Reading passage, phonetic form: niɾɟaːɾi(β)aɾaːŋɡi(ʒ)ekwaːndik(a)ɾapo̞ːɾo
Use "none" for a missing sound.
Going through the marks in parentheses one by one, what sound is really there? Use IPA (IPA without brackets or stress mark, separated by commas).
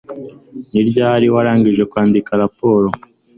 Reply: w, ʒ, a